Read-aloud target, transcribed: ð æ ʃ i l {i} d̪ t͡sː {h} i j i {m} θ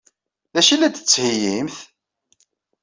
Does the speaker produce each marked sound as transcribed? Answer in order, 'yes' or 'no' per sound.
no, yes, yes

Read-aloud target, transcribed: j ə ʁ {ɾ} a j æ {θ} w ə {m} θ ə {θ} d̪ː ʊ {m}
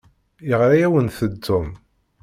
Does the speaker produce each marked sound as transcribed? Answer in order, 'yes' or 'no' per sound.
yes, no, no, no, yes

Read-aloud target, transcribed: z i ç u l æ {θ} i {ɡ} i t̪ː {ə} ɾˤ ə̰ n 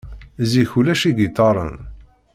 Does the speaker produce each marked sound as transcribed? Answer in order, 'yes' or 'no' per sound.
no, yes, no

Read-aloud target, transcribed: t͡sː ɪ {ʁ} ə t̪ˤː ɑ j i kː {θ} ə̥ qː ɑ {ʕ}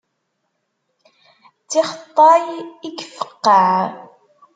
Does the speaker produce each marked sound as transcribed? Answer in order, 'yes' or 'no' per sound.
no, no, yes

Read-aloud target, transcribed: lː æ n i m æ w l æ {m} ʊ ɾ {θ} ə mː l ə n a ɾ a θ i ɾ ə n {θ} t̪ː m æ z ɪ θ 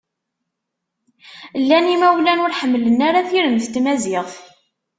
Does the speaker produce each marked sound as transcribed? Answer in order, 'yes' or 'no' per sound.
no, no, yes

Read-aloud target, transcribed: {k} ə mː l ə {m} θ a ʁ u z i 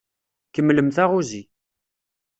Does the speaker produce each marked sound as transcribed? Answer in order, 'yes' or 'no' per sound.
yes, yes

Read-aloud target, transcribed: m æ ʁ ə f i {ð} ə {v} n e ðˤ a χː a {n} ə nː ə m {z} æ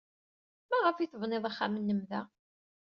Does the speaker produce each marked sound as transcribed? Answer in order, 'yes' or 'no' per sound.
no, yes, no, no

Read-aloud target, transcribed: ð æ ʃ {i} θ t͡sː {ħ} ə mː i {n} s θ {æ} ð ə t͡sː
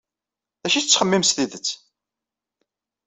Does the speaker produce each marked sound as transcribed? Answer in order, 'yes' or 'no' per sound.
yes, no, no, no

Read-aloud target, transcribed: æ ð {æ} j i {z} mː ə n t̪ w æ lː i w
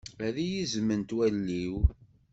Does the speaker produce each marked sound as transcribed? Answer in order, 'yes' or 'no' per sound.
no, yes

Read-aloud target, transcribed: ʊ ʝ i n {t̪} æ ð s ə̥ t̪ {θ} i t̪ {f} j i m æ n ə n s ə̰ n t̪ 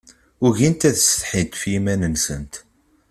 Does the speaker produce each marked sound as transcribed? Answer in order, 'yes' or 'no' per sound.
yes, no, yes

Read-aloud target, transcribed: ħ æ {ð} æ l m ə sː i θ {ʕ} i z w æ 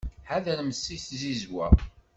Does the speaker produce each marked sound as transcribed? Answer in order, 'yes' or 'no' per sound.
yes, no

